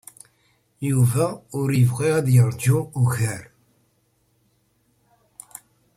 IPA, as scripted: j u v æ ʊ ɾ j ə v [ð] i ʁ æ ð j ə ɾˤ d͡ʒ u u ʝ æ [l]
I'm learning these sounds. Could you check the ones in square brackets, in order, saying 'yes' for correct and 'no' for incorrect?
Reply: no, no

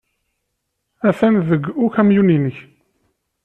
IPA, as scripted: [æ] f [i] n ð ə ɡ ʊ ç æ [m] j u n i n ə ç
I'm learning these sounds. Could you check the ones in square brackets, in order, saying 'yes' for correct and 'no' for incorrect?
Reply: yes, no, yes

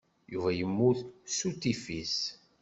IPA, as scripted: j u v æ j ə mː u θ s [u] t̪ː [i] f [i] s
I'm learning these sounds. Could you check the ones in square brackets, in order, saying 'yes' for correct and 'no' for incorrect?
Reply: yes, yes, yes

